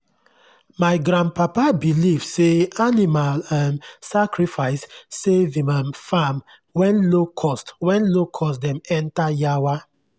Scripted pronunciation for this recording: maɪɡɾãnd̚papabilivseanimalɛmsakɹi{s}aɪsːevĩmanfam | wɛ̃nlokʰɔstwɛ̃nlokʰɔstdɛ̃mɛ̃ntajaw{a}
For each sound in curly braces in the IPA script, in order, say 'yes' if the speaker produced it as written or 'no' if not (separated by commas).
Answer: no, yes